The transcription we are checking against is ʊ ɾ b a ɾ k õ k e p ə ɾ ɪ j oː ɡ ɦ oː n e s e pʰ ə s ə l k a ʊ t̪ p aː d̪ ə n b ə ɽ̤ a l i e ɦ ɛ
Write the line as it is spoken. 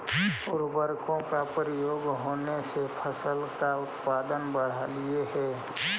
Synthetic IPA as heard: ʊ ɾ b ə ɾ k õ k a p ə ɾ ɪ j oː ɡ ɦ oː n e s e pʰ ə s ə l k a ʊ t̪ p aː d̪ ə n b ə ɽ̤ a l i e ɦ ɛ